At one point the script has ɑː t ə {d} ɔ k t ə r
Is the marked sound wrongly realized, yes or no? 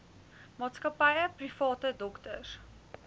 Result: no